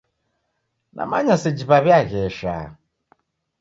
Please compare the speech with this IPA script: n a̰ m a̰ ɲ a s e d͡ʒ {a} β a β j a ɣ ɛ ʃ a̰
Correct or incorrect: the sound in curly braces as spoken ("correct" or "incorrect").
incorrect